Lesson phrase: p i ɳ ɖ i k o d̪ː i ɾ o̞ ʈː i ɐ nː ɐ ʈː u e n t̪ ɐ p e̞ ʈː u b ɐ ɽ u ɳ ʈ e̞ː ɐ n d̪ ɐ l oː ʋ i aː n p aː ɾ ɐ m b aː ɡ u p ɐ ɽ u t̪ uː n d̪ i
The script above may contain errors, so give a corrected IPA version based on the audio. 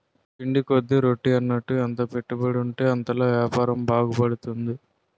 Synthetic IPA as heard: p i ɳ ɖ i k o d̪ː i ɾ o̞ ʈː i ɐ nː ɐ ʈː u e n t̪ ɐ p e̞ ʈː u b ɐ ɽ u ɳ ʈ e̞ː ɐ n t̪ ɐ l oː ʋ j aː p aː ɾ ɐ m b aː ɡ u p ɐ ɽ u t̪ u n d̪ i